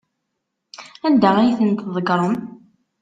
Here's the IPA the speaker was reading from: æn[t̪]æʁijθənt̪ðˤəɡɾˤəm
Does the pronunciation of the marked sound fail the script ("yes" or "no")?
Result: yes